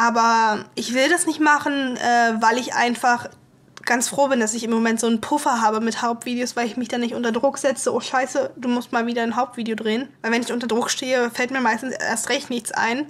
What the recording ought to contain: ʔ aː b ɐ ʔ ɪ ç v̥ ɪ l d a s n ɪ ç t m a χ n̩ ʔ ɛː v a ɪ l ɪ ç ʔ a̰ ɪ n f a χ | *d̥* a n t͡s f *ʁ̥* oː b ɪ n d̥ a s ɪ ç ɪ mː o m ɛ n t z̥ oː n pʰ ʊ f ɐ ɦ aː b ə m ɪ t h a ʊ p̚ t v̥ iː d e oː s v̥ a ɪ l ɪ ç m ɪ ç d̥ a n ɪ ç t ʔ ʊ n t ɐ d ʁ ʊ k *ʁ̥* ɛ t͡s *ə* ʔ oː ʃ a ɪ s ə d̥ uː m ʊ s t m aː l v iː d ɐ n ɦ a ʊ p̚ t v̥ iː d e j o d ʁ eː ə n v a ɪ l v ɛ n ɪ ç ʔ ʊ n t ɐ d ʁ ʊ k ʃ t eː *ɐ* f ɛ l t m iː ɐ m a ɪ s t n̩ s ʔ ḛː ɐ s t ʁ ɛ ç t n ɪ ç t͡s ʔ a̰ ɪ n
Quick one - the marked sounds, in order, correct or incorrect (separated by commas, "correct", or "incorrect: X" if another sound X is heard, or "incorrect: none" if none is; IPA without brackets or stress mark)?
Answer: incorrect: ɡ̥, correct, incorrect: z̥, correct, incorrect: ə